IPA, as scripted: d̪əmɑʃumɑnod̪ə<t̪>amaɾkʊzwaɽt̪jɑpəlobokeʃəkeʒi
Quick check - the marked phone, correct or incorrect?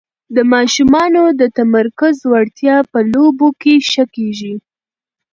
correct